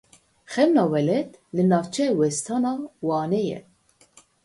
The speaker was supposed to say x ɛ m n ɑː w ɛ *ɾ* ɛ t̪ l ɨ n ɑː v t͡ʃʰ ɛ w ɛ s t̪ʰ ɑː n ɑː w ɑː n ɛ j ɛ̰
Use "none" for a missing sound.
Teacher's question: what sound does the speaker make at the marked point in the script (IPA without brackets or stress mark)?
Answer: l